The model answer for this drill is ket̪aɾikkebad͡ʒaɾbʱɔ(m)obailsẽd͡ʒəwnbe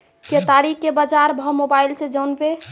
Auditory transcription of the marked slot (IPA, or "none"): m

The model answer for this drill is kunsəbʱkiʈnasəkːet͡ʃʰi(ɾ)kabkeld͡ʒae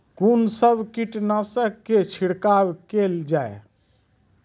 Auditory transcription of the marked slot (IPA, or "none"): ɽ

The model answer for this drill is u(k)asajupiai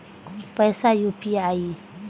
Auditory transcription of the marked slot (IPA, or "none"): p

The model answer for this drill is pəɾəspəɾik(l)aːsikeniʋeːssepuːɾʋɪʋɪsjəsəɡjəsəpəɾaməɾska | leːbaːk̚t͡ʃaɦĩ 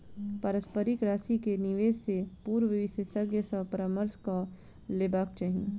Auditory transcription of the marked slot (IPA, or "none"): ɾ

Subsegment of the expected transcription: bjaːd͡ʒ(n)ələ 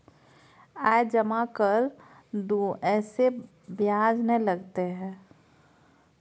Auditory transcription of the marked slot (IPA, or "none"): n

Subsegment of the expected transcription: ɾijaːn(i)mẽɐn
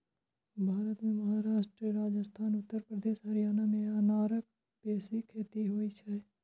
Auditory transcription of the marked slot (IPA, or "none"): a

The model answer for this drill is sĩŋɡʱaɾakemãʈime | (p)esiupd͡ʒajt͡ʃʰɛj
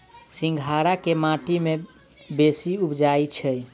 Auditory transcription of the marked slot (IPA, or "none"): b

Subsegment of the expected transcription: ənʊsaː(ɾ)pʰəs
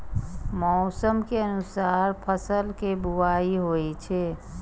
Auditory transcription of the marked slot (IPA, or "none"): ɾ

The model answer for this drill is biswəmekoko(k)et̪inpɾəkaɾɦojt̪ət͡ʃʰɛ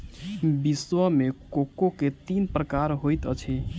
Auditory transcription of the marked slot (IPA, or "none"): k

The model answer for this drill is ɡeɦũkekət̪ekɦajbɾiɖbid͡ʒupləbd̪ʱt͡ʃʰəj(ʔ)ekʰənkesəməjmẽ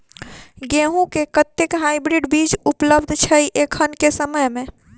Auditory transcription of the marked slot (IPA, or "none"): ʔ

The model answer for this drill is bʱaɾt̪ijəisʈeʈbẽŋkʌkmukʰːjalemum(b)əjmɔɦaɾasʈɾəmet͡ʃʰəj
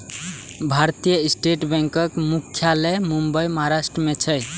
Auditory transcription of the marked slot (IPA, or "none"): b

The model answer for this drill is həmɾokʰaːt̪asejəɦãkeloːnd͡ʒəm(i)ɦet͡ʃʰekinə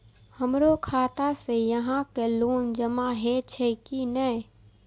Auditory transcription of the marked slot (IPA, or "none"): a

